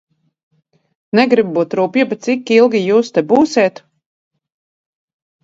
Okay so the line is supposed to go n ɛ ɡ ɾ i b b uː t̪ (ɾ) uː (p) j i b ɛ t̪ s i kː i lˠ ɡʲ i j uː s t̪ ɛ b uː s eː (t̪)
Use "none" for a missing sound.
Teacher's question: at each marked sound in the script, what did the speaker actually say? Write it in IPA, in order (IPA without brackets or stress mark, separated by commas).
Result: ɾ, p, t̪